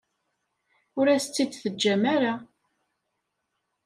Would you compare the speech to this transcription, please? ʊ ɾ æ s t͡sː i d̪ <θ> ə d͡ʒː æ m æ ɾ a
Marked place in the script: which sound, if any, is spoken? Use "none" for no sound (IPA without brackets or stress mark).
θ